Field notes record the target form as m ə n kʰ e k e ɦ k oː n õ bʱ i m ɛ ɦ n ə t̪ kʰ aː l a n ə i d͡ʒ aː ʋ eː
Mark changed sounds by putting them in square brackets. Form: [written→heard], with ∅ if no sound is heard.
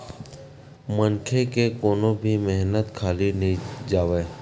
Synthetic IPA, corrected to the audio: m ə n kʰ e k e [ɦ→∅] k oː n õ bʱ i m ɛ ɦ n ə t̪ kʰ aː l [a→i] n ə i d͡ʒ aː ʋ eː